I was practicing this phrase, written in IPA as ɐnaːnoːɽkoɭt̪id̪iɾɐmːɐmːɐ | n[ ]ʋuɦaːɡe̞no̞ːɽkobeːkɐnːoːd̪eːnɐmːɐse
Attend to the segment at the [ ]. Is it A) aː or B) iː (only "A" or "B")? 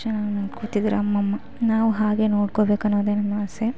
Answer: A